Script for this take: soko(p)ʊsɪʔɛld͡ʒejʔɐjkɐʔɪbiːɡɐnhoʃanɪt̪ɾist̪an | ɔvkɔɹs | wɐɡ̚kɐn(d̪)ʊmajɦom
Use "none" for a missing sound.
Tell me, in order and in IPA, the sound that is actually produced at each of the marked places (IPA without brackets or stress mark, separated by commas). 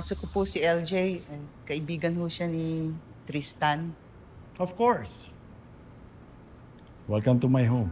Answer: p, t̪